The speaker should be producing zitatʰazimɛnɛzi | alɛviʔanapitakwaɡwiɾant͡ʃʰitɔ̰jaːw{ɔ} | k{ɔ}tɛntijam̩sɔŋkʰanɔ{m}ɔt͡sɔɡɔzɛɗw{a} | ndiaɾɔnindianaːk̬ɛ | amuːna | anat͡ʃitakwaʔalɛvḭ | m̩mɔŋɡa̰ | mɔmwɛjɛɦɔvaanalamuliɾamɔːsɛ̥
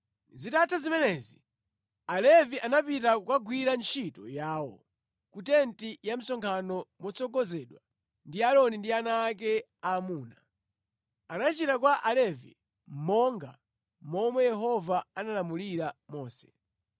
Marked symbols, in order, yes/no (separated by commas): yes, no, yes, yes